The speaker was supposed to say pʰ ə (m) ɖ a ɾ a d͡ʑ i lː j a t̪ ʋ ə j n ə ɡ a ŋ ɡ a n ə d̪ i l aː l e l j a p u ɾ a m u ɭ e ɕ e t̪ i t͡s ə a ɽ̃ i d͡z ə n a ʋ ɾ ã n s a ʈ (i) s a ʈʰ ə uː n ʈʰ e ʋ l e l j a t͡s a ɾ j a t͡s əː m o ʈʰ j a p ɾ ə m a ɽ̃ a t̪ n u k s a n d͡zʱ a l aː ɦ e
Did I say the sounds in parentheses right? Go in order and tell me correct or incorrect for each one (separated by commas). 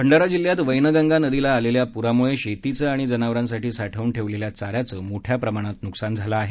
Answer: incorrect, incorrect